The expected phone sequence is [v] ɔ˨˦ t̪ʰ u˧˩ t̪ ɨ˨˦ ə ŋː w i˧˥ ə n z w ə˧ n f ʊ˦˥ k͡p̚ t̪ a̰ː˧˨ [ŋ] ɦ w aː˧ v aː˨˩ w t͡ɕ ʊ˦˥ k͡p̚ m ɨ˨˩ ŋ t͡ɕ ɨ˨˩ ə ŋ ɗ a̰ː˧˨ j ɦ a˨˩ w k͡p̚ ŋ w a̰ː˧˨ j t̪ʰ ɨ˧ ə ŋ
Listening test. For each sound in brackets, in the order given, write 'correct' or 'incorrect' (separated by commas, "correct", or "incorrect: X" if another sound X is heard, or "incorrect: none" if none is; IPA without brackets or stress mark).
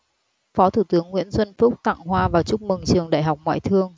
incorrect: f, correct